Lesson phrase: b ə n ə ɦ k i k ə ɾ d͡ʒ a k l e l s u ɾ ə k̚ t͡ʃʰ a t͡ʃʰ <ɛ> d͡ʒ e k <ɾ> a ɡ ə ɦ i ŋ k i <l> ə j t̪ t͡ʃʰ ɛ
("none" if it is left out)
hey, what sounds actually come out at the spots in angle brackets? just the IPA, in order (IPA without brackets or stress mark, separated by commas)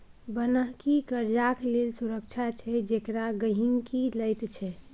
ɛ, ɾ, l